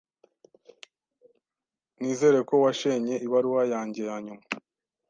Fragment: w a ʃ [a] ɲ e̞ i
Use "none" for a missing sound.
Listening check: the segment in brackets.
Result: e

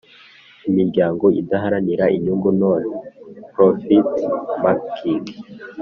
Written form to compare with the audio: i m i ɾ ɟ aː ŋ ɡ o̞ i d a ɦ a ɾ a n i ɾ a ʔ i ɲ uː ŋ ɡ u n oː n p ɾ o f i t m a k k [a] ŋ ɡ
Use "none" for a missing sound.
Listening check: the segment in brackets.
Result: i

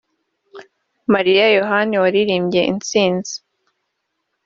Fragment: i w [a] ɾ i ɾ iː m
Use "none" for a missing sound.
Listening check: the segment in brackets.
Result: a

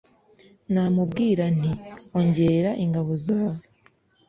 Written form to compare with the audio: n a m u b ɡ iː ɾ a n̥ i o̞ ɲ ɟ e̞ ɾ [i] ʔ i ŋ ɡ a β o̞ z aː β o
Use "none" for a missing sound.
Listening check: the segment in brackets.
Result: a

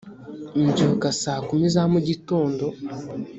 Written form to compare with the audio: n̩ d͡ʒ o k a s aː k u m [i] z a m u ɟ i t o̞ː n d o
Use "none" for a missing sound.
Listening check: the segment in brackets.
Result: i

